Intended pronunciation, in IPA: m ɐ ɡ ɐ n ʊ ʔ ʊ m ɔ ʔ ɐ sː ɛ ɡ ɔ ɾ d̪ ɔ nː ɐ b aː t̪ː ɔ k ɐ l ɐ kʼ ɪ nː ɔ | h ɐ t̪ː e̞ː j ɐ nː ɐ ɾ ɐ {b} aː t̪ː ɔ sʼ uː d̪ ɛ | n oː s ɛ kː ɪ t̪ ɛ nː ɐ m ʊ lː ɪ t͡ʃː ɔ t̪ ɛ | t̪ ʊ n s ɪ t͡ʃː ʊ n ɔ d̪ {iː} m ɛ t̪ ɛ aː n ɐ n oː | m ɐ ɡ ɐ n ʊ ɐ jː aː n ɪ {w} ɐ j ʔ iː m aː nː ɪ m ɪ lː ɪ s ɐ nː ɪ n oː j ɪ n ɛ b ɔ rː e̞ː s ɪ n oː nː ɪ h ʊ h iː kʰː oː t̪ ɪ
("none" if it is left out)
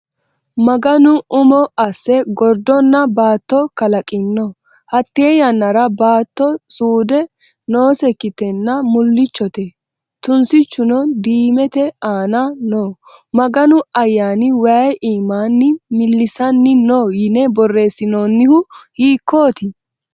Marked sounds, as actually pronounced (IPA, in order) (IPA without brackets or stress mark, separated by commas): b, iː, w